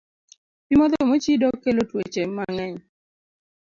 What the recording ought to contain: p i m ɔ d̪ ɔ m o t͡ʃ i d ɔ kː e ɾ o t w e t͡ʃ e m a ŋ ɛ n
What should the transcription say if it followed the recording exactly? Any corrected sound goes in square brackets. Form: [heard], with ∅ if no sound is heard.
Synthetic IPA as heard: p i m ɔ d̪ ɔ m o t͡ʃ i d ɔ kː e [l] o t w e t͡ʃ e m a ŋ ɛ [ɲ]